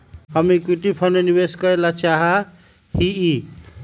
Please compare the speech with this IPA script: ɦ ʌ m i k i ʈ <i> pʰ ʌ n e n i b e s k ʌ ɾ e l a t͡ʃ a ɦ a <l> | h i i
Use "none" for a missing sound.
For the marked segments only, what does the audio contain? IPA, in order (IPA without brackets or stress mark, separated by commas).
i, none